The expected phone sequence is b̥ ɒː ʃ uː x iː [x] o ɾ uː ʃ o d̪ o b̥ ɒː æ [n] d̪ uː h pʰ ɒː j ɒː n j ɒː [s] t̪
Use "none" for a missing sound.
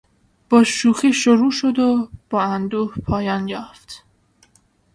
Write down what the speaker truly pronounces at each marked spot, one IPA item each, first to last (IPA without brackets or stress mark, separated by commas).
ʃ, n, f